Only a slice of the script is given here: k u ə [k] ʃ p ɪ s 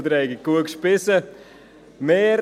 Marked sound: correct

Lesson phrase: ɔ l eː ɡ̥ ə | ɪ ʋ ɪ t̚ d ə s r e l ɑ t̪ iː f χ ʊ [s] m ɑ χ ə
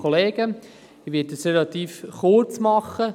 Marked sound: incorrect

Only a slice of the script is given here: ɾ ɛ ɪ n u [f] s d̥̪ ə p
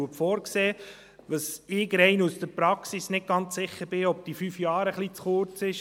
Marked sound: incorrect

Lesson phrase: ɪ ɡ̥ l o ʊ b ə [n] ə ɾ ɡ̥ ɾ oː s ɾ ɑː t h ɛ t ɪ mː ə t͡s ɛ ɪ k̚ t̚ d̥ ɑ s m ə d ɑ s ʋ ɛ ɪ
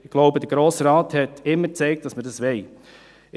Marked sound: incorrect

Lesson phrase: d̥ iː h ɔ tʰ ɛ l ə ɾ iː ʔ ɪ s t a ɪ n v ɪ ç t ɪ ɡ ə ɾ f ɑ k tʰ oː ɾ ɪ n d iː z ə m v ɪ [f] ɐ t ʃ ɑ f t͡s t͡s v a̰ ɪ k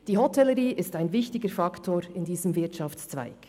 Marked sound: incorrect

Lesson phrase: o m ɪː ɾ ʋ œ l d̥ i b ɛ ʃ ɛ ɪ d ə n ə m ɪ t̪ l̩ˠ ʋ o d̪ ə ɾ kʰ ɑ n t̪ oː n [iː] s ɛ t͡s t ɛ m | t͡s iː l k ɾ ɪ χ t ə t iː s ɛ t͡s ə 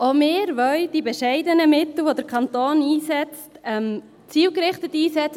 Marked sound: correct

